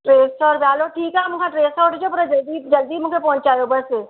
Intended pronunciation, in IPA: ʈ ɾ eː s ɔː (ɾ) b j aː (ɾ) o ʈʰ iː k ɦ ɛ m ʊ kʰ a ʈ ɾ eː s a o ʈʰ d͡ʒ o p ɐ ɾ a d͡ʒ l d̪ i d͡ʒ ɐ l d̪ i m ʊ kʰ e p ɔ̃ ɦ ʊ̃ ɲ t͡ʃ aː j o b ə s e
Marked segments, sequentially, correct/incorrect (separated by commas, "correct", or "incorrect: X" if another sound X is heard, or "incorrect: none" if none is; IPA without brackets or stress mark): correct, incorrect: l